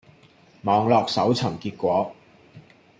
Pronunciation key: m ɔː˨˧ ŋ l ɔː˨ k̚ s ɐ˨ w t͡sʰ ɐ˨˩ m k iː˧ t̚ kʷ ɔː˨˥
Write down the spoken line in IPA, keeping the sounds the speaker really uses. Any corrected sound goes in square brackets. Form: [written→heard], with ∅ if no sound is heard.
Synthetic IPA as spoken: m ɔː˨˧ ŋ l ɔː˨ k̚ s [ɐ˨→ɐ˨˥] w t͡sʰ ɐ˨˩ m k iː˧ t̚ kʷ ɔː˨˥